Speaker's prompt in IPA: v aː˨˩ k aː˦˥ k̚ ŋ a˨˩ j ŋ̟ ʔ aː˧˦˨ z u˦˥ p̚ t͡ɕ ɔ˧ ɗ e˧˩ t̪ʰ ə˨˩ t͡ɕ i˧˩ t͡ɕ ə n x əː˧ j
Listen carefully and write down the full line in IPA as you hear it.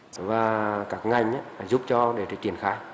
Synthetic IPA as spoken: v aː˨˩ k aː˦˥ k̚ ŋ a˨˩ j ŋ̟ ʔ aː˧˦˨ z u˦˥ p̚ t͡ɕ ɔ˧ ɗ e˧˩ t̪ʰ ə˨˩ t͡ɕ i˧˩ ə n x aː˧ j